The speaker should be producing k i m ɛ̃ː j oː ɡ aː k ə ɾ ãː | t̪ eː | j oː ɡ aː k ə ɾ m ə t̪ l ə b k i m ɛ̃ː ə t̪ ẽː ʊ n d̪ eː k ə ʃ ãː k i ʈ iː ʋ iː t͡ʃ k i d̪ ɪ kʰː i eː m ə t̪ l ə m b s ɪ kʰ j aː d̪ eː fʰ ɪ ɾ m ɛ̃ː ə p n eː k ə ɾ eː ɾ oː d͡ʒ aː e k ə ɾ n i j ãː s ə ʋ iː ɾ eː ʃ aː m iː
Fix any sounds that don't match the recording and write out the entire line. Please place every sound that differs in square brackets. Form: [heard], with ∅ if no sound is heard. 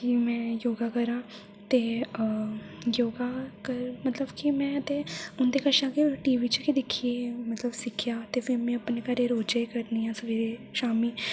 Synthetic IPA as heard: k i m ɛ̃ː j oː ɡ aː k ə ɾ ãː | t̪ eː | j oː ɡ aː k ə ɾ m ə t̪ l ə b k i m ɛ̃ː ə t̪ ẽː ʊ n d̪ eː k ə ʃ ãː k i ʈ iː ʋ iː t͡ʃ k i d̪ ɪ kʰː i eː m ə t̪ l ə [∅] b s ɪ kʰ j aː [t̪] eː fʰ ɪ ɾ m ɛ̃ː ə p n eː k ə ɾ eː ɾ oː d͡ʒ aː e k ə ɾ n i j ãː s ə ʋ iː ɾ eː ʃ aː m iː